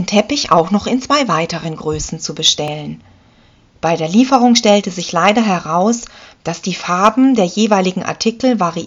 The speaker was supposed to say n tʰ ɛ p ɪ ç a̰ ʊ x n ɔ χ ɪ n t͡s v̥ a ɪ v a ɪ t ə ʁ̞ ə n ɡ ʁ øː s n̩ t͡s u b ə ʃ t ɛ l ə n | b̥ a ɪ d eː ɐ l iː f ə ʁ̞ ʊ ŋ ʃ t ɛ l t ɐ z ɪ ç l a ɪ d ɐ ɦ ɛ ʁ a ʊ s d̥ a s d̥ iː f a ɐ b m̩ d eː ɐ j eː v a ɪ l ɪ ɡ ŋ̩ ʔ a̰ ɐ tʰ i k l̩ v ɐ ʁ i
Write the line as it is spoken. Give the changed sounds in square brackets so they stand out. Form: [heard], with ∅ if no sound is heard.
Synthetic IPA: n tʰ ɛ p ɪ ç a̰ ʊ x n ɔ χ ɪ n t͡s v̥ a ɪ v a ɪ t ə ʁ̞ ə n ɡ ʁ øː s n̩ t͡s u b ə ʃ t ɛ l ə n | b̥ a ɪ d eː ɐ l iː f ə ʁ̞ ʊ ŋ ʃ t ɛ l t [ə] z ɪ ç l a ɪ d ɐ ɦ ɛ ʁ a ʊ s d̥ a s d̥ iː f a ɐ b m̩ d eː ɐ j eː v a ɪ l ɪ ɡ ŋ̩ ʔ a̰ ɐ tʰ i k l̩ v [a] ʁ i